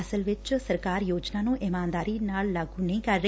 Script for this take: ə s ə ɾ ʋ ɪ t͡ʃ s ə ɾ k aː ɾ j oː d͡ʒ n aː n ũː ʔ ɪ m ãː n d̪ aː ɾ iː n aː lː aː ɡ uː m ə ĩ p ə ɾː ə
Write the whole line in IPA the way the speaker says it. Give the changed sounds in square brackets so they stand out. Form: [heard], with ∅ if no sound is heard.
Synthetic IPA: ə s ə [l] ʋ ɪ t͡ʃ s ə ɾ k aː ɾ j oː d͡ʒ n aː n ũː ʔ ɪ m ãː n d̪ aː ɾ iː n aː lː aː ɡ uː [n] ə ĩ [k] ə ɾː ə